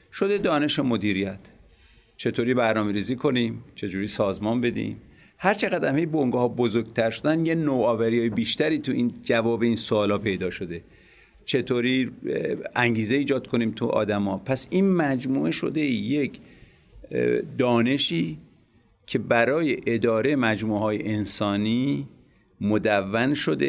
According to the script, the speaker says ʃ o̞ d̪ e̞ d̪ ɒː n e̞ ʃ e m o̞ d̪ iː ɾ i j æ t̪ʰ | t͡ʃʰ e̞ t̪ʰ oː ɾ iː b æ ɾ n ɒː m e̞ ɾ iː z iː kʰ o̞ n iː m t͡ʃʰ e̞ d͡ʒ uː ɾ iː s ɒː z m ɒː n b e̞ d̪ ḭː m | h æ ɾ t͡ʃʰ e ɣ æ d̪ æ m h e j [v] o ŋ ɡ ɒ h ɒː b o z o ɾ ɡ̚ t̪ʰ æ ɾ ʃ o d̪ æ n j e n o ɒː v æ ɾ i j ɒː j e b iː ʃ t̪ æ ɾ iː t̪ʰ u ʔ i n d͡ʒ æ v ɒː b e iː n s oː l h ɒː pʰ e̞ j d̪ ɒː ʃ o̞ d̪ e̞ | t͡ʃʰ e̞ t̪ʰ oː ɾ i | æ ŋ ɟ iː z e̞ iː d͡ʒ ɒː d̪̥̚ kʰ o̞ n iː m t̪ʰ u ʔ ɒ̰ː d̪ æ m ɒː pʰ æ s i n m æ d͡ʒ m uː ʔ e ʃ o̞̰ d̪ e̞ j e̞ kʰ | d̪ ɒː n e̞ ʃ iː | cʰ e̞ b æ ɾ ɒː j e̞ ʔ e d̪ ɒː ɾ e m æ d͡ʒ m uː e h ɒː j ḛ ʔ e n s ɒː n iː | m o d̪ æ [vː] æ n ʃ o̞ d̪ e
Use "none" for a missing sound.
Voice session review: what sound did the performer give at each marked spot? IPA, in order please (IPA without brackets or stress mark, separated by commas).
b, vː